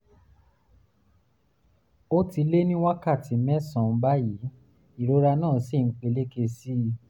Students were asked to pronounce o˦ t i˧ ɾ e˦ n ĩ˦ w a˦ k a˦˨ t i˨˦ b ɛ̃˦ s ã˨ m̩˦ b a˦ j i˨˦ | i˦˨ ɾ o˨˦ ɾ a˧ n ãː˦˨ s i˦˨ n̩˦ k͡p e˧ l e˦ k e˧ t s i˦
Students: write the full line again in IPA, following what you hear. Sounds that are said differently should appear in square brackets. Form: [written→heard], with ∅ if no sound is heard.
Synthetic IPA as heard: o˦ t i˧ [ɾ→l] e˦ n ĩ˦ w a˦ k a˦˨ t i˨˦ [b→m] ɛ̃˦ s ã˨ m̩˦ b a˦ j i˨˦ | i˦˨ ɾ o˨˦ ɾ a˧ n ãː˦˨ s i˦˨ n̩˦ k͡p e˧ l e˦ k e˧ [t→∅] s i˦

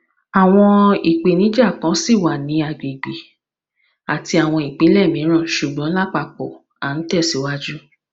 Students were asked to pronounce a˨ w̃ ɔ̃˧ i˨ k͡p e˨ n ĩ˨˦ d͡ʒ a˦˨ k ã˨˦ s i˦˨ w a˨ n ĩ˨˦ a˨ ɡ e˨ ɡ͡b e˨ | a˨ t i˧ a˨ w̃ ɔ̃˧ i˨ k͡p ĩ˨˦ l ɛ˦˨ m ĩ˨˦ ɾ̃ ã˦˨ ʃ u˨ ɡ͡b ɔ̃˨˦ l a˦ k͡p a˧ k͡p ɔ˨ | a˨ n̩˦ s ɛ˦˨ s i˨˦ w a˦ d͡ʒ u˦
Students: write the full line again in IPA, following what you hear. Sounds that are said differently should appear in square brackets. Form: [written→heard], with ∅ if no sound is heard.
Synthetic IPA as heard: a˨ w̃ ɔ̃˧ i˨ k͡p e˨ n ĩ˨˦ d͡ʒ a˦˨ k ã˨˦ s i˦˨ w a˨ n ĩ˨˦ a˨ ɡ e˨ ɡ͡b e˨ | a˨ t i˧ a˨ w̃ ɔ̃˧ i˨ k͡p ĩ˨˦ l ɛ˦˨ m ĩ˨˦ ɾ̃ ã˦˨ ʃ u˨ ɡ͡b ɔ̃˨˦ l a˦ k͡p a˧ k͡p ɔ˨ | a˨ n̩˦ [s→t] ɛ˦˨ s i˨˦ w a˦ d͡ʒ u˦

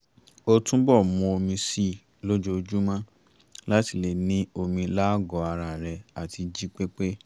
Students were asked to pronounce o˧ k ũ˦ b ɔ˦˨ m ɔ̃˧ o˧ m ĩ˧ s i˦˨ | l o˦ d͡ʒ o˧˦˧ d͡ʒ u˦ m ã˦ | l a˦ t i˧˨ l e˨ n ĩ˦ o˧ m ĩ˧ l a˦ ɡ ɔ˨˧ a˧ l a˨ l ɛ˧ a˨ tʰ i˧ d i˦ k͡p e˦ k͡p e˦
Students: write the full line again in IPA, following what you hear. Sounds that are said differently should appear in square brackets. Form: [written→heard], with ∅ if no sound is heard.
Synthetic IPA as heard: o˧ [k→t] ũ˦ b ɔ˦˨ m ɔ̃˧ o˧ m ĩ˧ s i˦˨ | l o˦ d͡ʒ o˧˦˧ d͡ʒ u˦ m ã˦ | l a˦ t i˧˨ l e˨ n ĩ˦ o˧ m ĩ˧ l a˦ ɡ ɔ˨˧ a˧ [l→ɾ] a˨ [l→ɾ] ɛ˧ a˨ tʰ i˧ [d→d͡ʒ] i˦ k͡p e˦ k͡p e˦

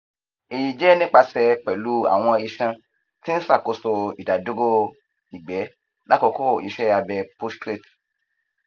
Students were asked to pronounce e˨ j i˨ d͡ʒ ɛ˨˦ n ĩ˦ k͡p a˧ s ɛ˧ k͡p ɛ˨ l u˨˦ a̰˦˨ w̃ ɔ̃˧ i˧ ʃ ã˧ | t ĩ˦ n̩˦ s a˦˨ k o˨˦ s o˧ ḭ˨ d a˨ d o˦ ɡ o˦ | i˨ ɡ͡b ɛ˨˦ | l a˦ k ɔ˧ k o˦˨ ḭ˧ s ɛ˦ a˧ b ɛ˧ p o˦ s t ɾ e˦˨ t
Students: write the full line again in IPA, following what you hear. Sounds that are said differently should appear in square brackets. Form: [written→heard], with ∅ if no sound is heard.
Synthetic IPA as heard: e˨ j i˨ d͡ʒ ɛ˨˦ n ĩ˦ k͡p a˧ s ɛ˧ k͡p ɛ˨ l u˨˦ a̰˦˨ w̃ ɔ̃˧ i˧ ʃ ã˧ | t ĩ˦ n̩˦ s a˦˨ k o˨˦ s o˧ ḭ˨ d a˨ d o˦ ɡ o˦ | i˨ ɡ͡b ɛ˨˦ | l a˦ k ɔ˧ k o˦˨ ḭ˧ [s→ʃ] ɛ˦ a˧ b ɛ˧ p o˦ s t ɾ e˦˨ t

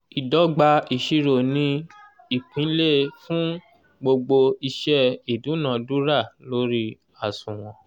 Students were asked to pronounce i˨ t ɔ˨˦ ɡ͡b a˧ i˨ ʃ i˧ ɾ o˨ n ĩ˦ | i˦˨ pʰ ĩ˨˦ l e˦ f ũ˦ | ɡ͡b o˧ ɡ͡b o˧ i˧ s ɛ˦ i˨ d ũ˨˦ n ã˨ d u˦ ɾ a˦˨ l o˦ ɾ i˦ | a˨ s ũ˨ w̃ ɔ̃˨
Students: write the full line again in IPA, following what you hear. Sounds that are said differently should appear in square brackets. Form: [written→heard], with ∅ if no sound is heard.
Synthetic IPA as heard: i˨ [t→d] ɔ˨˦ ɡ͡b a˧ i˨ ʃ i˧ ɾ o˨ n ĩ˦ | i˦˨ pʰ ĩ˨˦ l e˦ f ũ˦ | ɡ͡b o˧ ɡ͡b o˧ i˧ [s→ʃ] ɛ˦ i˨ d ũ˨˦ n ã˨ d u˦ ɾ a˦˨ l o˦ ɾ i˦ | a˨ s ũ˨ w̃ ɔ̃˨

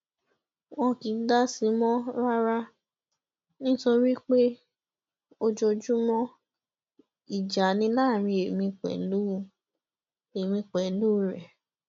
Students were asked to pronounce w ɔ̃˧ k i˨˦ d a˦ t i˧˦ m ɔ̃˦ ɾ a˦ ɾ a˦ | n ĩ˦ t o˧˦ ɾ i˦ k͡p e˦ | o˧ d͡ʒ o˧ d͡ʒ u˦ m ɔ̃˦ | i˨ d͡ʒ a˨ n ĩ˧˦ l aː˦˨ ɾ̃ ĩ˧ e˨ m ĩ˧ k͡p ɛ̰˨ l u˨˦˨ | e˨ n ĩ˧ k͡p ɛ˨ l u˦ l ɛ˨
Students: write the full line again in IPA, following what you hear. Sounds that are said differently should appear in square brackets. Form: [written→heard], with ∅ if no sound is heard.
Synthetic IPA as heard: w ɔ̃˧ k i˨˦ d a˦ [t→s] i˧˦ m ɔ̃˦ ɾ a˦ ɾ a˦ | n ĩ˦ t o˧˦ ɾ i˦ k͡p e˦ | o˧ d͡ʒ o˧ d͡ʒ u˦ m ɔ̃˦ | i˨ d͡ʒ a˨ n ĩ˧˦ l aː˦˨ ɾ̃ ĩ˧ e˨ m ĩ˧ k͡p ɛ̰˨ l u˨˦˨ | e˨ [n→m] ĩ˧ k͡p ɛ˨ l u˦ [l→ɾ] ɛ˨

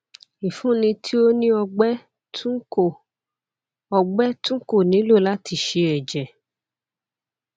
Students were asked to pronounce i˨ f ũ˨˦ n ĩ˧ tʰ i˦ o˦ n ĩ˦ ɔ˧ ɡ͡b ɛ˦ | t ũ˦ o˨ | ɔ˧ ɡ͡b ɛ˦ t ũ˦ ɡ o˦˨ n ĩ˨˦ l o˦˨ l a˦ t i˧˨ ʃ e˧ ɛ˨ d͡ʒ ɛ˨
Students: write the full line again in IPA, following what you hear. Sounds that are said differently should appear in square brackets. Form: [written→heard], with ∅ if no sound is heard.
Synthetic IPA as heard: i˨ f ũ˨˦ n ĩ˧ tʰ i˦ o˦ n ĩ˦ ɔ˧ ɡ͡b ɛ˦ | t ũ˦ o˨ | ɔ˧ ɡ͡b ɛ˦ t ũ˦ [ɡ→k] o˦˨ n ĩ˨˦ l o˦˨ l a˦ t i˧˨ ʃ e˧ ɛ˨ d͡ʒ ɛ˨

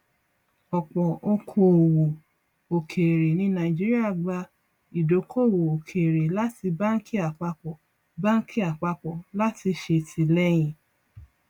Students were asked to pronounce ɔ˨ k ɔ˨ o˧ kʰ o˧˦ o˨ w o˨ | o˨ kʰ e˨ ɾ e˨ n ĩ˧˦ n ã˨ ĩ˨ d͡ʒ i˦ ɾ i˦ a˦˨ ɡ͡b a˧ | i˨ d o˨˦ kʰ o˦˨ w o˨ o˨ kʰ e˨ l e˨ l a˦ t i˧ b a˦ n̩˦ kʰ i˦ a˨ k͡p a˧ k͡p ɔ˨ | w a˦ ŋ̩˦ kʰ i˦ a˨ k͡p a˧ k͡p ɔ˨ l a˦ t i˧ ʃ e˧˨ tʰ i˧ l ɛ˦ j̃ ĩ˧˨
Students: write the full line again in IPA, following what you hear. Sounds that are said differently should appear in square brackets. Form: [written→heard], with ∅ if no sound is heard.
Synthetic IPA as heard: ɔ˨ [k→k͡p] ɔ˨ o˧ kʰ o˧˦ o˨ w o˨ | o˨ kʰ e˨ ɾ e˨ n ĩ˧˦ n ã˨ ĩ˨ d͡ʒ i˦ ɾ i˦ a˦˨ ɡ͡b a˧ | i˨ d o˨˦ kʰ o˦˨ w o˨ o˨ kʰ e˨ [l→ɾ] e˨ l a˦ t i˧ b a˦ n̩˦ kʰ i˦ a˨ k͡p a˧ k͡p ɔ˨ | [w→b] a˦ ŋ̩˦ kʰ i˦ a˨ k͡p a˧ k͡p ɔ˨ l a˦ t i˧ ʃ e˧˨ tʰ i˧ l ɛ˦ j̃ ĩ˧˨

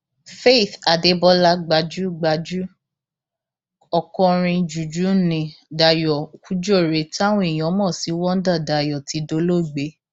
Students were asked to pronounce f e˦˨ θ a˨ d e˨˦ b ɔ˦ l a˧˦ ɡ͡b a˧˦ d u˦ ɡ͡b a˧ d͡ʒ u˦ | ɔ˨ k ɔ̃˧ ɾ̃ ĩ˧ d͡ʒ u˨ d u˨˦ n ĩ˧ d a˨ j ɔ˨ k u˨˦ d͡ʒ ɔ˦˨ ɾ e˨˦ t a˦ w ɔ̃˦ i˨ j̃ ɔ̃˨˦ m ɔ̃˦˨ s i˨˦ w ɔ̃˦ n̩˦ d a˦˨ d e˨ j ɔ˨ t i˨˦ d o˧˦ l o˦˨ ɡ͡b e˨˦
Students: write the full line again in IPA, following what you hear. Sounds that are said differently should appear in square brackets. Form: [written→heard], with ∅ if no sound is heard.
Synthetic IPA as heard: f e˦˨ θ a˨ d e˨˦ b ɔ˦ l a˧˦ ɡ͡b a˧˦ [d→d͡ʒ] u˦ ɡ͡b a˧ d͡ʒ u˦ | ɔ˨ k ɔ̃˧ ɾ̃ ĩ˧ d͡ʒ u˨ [d→d͡ʒ] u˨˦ n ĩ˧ d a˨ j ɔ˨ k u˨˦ d͡ʒ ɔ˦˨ ɾ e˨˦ t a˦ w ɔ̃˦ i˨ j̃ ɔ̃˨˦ m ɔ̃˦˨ s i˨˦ w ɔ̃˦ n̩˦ d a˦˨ d [e˨→a˨] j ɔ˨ t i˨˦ d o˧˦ l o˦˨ ɡ͡b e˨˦

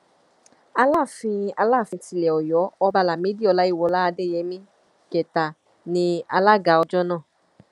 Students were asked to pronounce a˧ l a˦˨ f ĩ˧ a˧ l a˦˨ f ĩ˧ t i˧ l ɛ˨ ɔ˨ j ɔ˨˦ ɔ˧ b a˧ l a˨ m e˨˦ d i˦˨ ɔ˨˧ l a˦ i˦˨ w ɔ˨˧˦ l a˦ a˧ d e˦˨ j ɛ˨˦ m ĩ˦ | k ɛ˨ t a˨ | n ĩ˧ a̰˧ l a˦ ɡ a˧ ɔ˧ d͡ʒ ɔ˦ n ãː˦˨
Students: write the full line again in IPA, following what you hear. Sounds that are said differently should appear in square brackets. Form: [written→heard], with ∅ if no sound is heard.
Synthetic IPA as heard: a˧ l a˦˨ f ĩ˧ a˧ l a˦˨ f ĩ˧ t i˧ l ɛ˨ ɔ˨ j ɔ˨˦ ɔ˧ b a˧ l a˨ m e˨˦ d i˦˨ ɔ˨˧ l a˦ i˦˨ w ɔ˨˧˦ l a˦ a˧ d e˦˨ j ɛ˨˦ m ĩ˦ | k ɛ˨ t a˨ | n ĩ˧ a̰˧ l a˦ ɡ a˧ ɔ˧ d͡ʒ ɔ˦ n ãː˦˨

